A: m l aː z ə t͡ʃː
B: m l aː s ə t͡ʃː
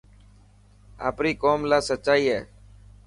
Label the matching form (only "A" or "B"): B